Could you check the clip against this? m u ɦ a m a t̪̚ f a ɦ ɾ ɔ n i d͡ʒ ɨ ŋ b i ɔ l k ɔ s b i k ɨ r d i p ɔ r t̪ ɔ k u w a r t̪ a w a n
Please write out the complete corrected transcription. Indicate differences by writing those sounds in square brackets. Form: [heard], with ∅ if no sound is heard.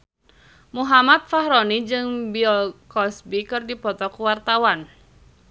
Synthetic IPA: m u ɦ a m a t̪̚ f a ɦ ɾ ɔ n i d͡ʒ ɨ ŋ b i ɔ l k ɔ s b i k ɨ r d i p ɔ [∅] t̪ ɔ k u w a r t̪ a w a n